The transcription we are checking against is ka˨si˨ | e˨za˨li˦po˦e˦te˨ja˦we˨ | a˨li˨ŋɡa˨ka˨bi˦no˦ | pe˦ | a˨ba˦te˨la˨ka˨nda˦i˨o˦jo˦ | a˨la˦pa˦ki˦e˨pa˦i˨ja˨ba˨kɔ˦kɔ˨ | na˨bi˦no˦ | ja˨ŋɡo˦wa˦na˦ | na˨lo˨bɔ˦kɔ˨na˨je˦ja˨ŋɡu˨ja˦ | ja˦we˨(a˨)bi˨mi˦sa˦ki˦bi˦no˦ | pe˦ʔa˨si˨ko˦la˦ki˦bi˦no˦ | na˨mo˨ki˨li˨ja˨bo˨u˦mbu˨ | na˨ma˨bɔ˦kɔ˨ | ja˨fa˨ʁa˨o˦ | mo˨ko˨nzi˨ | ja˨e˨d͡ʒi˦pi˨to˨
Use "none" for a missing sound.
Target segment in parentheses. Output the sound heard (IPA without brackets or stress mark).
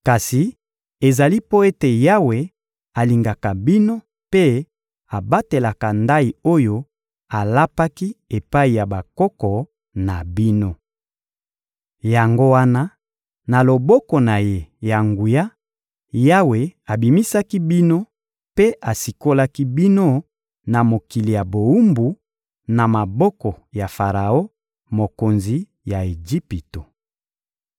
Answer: a˨